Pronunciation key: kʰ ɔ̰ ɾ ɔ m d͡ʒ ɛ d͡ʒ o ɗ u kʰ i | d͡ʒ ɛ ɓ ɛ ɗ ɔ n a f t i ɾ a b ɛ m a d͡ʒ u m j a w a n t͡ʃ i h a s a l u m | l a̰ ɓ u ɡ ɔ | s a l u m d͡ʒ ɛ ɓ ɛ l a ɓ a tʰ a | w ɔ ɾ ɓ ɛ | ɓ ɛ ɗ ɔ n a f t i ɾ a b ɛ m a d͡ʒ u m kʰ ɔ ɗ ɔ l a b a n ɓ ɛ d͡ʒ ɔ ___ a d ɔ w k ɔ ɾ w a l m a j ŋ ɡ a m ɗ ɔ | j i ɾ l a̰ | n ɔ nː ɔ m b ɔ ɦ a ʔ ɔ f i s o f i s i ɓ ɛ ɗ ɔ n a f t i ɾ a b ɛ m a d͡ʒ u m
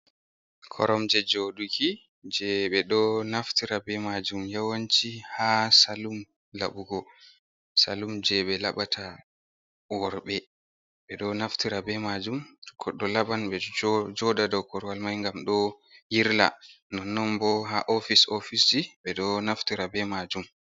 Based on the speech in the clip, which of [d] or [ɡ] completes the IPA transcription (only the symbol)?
d